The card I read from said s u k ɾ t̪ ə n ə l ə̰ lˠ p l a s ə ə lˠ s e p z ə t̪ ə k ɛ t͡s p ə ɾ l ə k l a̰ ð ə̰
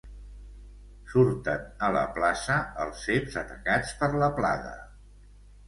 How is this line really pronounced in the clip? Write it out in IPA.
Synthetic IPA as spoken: s u ɾ t̪ ə n ə l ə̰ p l a s ə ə lˠ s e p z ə t̪ ə k a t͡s p ə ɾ l ə p l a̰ ð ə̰

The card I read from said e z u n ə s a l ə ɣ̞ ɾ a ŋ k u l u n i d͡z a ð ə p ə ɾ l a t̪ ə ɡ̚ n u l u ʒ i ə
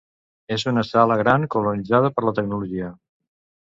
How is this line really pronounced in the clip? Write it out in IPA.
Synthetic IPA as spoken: e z u n ə s a l ə ɣ̞ ɾ a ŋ k u l u n i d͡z a ð ə p ə ɾ l ə t̪ ə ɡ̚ n u l u ʒ i ə

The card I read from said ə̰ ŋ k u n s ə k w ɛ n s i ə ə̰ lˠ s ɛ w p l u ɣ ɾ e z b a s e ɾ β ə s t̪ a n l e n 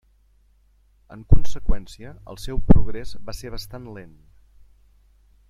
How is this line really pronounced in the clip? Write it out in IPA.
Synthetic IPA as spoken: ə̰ ŋ k u n s ə k w ɛ n s i ə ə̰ lˠ s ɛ w p ɾ u ɣ ɾ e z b a s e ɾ β ə s t̪ a n l e n

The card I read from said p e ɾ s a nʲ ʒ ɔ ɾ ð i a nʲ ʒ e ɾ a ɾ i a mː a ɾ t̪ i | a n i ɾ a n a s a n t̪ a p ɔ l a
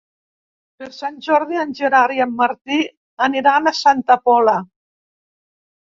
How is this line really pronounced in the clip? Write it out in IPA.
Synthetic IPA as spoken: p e ɾ s a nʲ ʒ ɔ ɾ ð i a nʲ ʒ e ɾ a ɾ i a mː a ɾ t̪ i | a n i ɾ a n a s a n t̪ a p ɔ l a

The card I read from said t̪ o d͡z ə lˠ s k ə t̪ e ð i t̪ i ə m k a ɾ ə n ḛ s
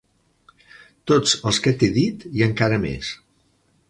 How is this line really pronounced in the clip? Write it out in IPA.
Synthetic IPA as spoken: t̪ o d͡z ə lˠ s k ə t̪ e ð i t̪ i ə ŋ k a ɾ ə m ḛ s

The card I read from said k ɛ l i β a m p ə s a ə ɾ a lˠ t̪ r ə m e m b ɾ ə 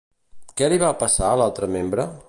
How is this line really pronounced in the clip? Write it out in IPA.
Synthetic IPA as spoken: k ɛ l i β a p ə s a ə l a lˠ t̪ ɾ ə m e m b ɾ ə

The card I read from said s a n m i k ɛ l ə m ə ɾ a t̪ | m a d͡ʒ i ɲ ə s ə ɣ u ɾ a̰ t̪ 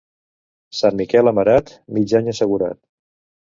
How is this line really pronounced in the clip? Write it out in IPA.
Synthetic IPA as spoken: s a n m i k ɛ l ə m ə ɾ a t̪ | m i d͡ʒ a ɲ ə s ə ɣ u ɾ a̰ t̪

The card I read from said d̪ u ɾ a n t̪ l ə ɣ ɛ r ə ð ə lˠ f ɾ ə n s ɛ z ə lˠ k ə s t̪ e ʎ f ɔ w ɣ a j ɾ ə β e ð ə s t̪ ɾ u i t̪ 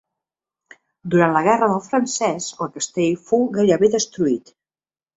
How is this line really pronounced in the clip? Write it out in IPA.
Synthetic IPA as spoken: d̪ u ɾ a n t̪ l ə ɣ ɛ r ə ð ə lˠ f ɾ ə n s ɛ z ə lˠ k ə s t̪ e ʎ f o w ɣ a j ɾ ə β e ð ə s t̪ ɾ u i t̪

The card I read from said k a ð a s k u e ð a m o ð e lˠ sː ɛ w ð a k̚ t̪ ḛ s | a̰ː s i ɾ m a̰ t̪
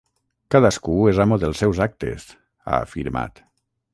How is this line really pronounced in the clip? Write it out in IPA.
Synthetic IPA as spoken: k a ð a s k u e z a m o ð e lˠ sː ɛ w z a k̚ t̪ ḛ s | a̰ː f i ɾ m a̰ t̪

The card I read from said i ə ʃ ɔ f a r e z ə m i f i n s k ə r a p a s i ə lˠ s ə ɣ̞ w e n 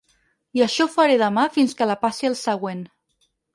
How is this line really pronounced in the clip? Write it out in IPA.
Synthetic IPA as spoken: i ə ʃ ɔ f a ɾ e ð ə m a f i n s k ə l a p a s i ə lˠ s ə ɣ̞ w e n

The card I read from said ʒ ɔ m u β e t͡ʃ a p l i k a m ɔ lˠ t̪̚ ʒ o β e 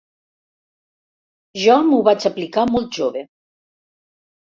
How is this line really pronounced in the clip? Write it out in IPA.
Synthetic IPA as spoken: ʒ ɔ m u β a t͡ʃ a p l i k a m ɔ lˠ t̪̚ ʒ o β e

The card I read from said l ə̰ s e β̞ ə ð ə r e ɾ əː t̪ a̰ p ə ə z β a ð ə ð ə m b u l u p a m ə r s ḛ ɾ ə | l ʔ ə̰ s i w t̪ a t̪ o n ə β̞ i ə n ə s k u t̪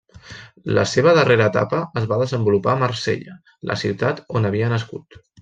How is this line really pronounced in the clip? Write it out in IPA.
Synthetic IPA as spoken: l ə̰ s e β̞ ə ð ə r e ɾ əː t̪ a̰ p ə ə z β a ð ə z ə m b u l u p a m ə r s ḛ ʎ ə | l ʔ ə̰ s i w t̪ a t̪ o n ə β̞ i ə n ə s k u t̪

